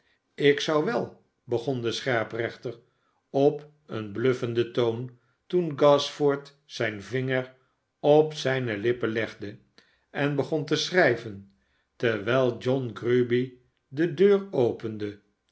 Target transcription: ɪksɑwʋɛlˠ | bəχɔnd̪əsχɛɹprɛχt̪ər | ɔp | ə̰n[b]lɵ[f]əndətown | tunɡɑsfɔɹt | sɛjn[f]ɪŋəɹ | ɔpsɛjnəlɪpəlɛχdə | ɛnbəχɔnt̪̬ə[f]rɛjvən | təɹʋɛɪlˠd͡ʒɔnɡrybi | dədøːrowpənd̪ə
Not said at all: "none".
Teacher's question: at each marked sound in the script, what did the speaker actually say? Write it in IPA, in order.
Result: b, f, v, s

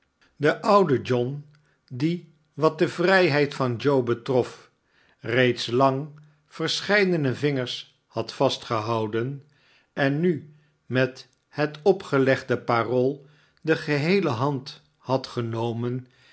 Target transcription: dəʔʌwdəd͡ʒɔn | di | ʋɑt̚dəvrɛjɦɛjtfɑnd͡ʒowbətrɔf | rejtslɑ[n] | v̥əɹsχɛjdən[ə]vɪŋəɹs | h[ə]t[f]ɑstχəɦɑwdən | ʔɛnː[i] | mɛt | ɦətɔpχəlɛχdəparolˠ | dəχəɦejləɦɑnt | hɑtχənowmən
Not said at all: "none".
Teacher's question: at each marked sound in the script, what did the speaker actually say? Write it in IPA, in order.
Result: ŋ, ə, ɑ, f, y

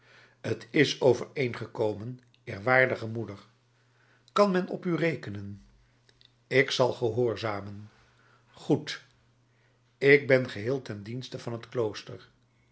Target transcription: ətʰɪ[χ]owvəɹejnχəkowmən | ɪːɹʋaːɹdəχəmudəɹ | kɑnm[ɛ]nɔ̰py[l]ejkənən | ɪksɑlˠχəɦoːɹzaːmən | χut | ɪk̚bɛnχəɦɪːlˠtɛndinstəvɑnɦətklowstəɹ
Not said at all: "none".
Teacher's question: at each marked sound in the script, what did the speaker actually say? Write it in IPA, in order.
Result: s, ɛ, r

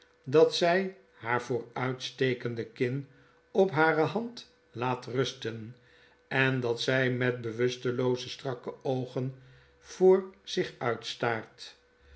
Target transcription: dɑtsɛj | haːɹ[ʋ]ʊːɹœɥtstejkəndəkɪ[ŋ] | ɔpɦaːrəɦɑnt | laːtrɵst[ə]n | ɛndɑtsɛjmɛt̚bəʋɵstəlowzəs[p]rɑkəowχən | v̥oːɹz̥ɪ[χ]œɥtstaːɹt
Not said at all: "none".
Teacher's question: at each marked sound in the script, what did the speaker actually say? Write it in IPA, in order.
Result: v, n, ə, t, χ

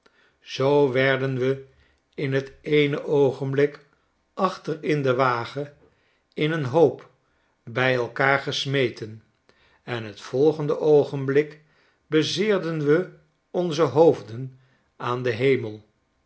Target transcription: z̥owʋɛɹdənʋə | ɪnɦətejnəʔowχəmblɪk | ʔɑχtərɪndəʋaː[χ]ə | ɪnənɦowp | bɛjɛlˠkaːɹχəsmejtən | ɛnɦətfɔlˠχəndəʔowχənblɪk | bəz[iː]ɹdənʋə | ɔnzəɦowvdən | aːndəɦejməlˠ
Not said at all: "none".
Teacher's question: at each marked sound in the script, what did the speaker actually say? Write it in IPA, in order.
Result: χ, ɪː

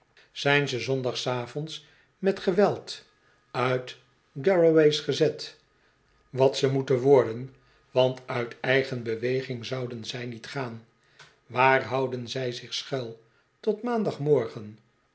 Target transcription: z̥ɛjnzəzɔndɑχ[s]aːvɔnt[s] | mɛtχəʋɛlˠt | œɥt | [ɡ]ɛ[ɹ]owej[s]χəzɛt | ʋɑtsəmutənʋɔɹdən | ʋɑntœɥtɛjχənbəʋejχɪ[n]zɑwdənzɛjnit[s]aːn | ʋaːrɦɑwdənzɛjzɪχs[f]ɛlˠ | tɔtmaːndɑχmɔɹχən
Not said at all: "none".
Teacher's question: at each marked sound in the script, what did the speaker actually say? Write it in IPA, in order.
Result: s, s, ɡ, ɹ, s, ŋ, χ, χ

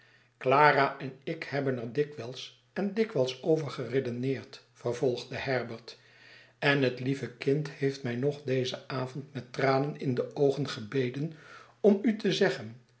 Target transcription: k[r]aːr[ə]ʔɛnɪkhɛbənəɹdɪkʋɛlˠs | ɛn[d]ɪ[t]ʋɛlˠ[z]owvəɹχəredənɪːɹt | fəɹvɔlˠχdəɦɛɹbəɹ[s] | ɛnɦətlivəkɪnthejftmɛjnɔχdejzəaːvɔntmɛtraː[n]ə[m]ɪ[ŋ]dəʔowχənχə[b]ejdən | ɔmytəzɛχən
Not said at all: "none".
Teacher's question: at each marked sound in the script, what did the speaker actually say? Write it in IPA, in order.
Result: l, a, d, k, s, t, n, n, n, b

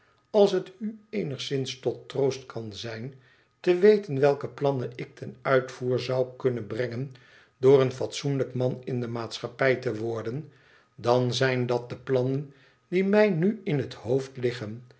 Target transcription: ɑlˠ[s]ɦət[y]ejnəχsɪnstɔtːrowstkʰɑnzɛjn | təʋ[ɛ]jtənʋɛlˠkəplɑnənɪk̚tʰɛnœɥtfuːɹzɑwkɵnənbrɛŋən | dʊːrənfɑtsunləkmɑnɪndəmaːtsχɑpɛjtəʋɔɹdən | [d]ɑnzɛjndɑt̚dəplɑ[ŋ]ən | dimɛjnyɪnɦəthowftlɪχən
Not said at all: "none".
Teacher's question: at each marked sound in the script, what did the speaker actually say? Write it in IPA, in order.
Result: s, y, e, d, n

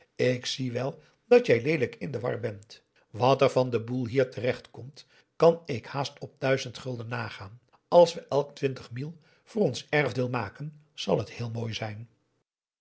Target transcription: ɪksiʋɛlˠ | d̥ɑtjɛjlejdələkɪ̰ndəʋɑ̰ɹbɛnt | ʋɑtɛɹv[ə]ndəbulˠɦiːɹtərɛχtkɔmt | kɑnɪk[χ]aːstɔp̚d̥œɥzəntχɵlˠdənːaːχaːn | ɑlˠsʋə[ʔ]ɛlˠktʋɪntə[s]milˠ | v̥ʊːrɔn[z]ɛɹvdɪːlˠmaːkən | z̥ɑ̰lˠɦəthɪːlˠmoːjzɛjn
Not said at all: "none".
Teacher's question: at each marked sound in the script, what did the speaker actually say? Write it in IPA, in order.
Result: ɑ, h, ʔ, χ, s

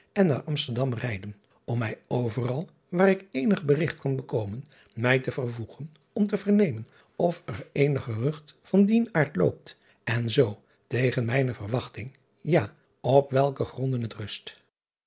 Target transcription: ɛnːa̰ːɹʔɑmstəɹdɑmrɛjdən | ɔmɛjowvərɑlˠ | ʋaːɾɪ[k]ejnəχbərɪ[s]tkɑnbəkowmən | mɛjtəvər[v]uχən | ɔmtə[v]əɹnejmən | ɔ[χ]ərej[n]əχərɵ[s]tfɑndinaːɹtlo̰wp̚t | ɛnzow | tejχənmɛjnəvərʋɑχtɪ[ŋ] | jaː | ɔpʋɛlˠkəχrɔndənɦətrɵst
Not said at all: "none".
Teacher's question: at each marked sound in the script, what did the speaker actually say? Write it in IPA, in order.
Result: k, χ, v, v, f, n, χ, ŋ

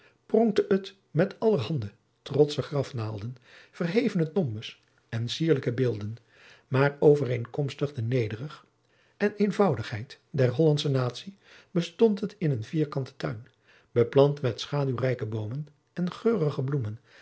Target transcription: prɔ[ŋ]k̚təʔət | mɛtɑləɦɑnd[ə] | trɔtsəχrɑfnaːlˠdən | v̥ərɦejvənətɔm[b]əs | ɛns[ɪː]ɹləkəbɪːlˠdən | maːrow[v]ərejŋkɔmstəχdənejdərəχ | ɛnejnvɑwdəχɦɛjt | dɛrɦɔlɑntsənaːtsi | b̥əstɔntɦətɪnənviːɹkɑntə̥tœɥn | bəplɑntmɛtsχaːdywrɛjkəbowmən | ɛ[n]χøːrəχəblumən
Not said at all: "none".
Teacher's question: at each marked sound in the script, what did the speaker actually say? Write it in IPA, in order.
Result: ŋ, ə, b, iː, v, n

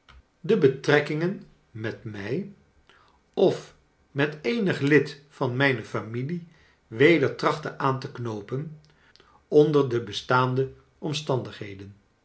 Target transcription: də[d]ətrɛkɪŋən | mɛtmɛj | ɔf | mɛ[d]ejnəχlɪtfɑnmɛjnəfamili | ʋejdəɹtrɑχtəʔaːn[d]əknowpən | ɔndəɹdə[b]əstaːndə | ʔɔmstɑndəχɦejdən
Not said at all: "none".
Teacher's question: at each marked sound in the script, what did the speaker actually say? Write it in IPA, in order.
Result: b, t, t, b

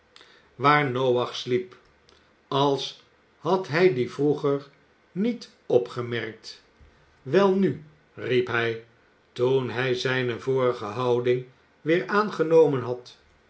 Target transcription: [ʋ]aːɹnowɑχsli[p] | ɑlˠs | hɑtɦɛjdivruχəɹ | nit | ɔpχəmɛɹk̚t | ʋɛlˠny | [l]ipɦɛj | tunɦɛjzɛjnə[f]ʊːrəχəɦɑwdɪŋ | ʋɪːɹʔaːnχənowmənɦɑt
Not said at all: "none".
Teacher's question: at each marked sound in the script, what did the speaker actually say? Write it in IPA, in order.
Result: ʋ, p, r, v

